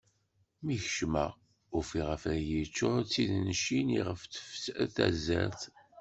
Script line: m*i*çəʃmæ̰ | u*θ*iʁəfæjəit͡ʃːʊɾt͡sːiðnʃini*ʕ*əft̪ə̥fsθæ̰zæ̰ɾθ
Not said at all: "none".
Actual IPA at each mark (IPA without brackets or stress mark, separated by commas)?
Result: i, f, ʁ